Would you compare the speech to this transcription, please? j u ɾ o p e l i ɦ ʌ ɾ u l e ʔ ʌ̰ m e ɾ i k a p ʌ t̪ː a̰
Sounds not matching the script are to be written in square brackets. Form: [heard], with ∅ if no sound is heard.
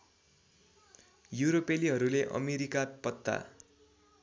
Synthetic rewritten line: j u ɾ o p e l i ɦ ʌ ɾ u l e ʔ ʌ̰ m e ɾ i k a p ʌ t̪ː a̰